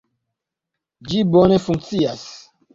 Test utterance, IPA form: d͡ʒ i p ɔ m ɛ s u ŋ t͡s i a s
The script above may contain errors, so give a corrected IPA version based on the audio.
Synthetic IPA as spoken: d͡ʒ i b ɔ n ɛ f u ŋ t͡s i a s